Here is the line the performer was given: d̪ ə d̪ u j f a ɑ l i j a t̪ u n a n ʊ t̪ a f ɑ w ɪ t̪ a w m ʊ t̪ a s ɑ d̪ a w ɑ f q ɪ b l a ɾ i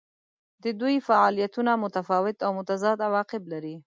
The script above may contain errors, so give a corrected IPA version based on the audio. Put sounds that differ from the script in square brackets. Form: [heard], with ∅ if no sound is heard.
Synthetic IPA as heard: d̪ ə d̪ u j f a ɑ l i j a t̪ u n a [m] ʊ t̪ a f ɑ w ɪ t̪ a w m ʊ t̪ a [z] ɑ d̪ a w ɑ [∅] q ɪ b l a ɾ i